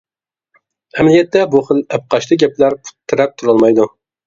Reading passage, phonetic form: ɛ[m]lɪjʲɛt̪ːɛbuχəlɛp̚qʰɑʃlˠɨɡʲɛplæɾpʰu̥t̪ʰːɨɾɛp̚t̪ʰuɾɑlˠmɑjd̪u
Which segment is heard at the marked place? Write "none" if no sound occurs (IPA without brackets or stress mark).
m